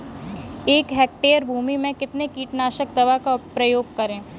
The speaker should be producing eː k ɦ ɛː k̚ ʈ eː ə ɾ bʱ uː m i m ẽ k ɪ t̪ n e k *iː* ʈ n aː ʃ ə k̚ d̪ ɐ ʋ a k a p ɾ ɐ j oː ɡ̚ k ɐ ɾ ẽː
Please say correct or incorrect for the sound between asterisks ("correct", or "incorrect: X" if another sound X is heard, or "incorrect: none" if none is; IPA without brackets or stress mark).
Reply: correct